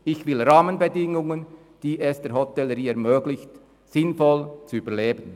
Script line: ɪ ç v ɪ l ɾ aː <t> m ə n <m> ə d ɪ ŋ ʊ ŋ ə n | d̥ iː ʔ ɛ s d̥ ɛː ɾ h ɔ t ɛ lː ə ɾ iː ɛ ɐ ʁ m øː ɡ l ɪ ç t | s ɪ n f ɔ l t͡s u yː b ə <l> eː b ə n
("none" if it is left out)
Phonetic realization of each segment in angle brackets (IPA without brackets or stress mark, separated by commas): none, b, l